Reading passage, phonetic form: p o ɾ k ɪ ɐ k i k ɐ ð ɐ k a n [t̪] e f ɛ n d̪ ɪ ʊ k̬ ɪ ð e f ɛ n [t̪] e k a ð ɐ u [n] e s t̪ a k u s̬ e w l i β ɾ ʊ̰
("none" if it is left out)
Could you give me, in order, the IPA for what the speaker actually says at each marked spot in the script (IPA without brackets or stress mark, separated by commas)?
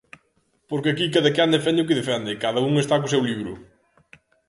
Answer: d̪, d̪, ŋ